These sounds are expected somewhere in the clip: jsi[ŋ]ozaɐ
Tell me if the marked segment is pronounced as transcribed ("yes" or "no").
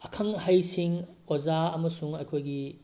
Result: yes